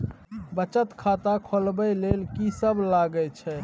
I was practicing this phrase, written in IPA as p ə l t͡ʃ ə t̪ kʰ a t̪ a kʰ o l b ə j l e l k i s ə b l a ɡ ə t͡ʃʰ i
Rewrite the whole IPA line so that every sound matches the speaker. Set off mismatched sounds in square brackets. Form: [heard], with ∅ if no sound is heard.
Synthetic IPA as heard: [b] ə [∅] t͡ʃ ə t̪ kʰ a t̪ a kʰ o l b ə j l e l k i s ə b l a ɡ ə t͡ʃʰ [ɛ]